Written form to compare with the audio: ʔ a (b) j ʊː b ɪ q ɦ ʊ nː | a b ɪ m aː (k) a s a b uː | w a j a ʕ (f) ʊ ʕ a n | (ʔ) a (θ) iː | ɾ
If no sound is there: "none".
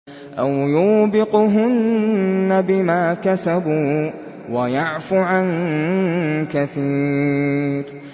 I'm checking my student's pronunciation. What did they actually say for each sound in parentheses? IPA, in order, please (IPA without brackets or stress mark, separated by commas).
w, k, f, k, θ